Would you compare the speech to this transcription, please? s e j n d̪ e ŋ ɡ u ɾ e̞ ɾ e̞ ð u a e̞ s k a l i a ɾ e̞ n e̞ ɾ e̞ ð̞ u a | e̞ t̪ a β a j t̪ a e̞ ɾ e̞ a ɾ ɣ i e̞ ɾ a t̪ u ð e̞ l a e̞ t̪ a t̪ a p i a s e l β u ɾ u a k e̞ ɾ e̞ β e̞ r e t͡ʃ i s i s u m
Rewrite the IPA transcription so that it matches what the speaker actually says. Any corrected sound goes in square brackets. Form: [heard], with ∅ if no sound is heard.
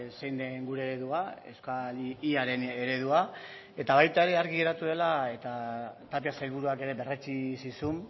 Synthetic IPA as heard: s e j n d̪ e ŋ ɡ u ɾ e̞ ɾ e̞ ð u a e̞ s k a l i a ɾ e̞ n e̞ ɾ e̞ ð̞ u a | e̞ t̪ a β a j t̪ a e̞ ɾ e̞ a ɾ ɣ i e̞ ɾ a t̪ u ð e̞ l a e̞ t̪ a t̪ a p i a s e l β u ɾ u a k e̞ ɾ e̞ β e̞ r e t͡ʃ i s i s u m